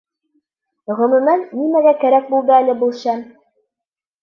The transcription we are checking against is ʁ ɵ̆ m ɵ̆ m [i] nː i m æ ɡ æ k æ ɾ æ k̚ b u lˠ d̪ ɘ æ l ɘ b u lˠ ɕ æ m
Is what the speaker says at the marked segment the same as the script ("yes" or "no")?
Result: no